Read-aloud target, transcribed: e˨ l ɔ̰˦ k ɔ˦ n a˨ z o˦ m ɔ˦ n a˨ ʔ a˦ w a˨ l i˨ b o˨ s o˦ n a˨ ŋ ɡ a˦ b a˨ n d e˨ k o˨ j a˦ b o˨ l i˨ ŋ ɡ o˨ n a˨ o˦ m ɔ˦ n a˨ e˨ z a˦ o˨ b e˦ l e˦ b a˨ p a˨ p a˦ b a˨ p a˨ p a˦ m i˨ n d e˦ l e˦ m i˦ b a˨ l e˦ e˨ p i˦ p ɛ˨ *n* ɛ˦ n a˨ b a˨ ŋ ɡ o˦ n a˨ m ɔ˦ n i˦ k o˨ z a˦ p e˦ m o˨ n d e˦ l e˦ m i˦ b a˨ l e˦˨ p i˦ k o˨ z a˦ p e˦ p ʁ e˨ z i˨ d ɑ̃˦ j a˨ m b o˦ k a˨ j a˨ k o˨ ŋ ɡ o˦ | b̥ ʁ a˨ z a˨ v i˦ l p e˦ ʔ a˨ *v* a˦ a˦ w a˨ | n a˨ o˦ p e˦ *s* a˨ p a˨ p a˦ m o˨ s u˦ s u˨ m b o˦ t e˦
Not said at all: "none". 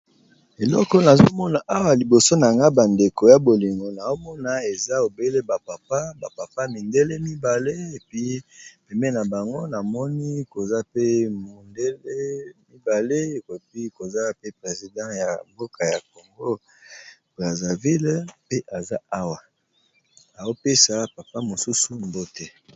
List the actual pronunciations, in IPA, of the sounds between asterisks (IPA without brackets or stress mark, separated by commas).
m, z, s